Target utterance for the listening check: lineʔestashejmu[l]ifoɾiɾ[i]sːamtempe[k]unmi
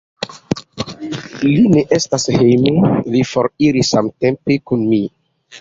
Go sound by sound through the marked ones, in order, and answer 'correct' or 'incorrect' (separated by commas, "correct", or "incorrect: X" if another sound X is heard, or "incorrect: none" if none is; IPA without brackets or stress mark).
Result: correct, correct, correct